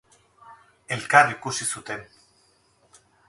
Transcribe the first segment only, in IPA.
e̞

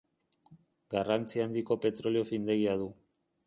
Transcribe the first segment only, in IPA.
ɡ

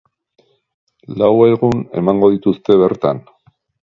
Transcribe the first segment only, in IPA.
l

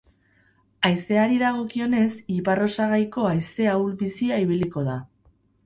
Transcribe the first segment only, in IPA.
a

